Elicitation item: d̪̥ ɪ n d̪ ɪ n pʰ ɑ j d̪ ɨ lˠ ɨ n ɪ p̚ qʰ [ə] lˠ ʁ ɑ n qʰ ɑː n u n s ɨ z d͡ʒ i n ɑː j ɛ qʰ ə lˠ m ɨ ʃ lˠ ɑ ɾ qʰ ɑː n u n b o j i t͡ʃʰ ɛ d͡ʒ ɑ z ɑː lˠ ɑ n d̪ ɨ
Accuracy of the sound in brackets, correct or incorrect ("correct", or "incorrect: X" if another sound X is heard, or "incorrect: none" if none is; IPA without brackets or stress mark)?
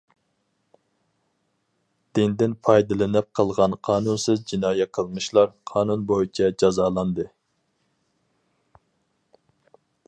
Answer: correct